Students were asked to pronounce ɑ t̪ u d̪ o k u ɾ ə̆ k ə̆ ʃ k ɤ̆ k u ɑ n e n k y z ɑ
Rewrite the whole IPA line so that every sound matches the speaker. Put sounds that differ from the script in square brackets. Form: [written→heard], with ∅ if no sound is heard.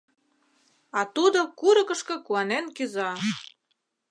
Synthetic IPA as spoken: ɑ t̪ u d̪ o k u ɾ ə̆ k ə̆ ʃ k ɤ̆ k u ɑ n e n k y z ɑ